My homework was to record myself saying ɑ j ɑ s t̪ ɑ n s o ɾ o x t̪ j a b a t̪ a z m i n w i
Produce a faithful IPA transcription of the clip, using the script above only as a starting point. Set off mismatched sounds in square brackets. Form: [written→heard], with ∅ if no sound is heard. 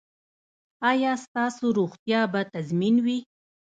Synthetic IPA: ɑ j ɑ s t̪ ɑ [n→∅] s o ɾ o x t̪ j [a→ɑ] b a t̪ a z m i n w i